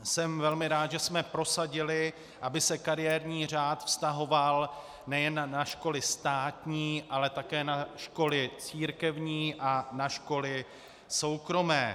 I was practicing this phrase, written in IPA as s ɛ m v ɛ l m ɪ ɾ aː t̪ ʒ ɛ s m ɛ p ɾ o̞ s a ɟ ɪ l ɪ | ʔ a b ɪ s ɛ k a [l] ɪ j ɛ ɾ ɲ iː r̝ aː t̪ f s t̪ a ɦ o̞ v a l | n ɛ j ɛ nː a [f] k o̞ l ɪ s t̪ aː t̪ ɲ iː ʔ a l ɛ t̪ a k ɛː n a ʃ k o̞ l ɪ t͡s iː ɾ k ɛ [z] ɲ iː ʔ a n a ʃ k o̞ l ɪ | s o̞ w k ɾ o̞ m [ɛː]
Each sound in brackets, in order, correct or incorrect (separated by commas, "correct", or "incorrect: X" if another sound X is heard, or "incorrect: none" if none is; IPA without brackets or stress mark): incorrect: ɾ, incorrect: ʃ, incorrect: v, correct